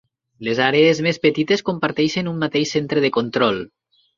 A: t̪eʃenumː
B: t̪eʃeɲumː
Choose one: A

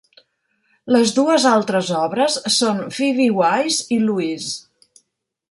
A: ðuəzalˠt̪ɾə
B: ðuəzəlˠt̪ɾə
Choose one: A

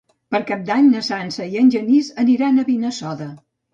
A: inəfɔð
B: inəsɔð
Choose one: B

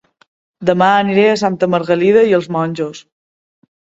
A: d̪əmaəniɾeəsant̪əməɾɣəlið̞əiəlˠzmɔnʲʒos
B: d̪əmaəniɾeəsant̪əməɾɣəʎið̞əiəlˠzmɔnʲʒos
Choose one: A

